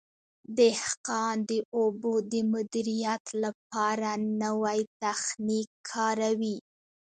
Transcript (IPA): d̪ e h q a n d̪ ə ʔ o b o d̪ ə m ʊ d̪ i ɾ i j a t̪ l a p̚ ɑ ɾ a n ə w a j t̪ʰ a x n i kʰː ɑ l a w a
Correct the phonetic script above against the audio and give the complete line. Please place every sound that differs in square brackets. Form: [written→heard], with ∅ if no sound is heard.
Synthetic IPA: d̪ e h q [a→ɑ] n d̪ ə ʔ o b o d̪ ə m ʊ d̪ i ɾ i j a t̪ l a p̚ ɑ ɾ a n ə w a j [t̪ʰ→t̪] a x n i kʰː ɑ [l→ɾ] a w [a→i]